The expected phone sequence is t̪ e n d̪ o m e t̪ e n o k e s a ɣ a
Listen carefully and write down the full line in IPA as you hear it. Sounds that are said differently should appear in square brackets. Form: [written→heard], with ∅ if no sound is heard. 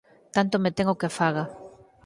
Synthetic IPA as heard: t̪ [e→a] n [d̪→t̪] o m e t̪ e [n→ŋ] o k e [s→f] a ɣ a